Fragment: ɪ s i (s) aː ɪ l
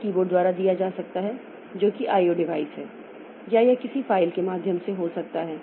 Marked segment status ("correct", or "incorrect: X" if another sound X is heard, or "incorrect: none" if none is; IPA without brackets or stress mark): incorrect: f